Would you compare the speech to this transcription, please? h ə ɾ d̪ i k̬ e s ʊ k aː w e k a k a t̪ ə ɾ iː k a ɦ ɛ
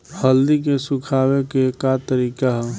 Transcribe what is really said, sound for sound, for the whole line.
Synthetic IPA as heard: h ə l d̪ i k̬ e s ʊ kʰ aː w e k e k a t̪ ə ɾ iː k a ɦ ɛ